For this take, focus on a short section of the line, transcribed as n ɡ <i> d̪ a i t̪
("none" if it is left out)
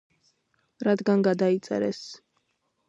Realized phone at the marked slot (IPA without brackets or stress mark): a